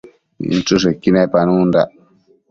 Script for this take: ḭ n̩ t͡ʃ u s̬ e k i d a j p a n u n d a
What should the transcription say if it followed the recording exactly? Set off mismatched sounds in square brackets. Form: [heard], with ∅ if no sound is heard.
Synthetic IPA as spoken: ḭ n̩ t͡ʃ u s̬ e k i [n] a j p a n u n d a